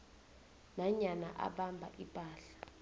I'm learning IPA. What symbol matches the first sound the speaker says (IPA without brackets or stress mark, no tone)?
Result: n